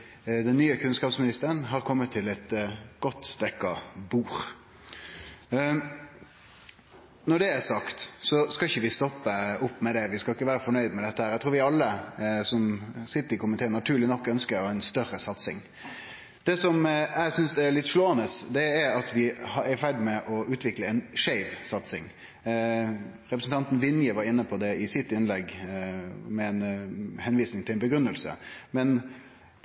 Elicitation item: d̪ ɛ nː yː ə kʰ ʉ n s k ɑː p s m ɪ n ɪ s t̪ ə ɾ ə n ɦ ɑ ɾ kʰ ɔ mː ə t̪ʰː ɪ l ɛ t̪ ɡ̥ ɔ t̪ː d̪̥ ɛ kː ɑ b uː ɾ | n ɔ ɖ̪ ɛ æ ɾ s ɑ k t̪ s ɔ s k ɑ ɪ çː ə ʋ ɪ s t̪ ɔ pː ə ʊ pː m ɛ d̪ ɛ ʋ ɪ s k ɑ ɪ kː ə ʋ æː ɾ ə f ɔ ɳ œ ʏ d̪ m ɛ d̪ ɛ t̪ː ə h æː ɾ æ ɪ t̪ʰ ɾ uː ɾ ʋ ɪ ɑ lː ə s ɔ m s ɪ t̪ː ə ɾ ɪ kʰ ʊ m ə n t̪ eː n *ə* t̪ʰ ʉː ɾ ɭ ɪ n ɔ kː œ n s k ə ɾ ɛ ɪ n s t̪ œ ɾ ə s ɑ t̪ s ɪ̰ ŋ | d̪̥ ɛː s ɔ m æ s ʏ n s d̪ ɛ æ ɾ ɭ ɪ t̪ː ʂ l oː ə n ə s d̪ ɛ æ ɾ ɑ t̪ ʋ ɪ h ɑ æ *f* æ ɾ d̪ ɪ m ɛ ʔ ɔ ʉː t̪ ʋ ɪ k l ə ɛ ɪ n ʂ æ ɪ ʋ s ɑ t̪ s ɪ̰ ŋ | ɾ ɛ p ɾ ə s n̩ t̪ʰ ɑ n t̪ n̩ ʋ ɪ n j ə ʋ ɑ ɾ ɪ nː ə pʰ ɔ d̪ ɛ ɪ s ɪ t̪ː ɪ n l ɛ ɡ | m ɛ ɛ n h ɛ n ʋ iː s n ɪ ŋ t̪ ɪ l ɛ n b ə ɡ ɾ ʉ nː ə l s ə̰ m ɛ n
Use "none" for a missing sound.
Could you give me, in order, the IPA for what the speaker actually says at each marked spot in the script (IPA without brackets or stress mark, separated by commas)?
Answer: ɑ, f